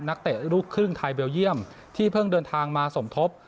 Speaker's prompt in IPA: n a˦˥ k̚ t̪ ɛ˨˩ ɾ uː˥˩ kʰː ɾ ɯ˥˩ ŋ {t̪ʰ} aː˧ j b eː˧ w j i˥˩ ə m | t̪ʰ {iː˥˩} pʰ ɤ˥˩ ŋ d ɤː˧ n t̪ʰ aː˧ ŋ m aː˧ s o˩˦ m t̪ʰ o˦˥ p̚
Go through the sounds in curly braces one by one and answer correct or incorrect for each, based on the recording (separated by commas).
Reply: correct, correct